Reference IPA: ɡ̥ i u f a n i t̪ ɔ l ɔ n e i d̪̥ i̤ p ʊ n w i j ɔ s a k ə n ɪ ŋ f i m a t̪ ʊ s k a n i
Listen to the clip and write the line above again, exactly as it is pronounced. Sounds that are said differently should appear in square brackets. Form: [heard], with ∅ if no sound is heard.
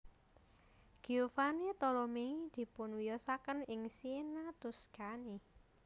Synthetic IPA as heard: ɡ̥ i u f a n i t̪ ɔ l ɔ [m] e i d̪̥ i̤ p ʊ n w i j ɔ s a k ə n ɪ ŋ [s] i [n] a t̪ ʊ s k a n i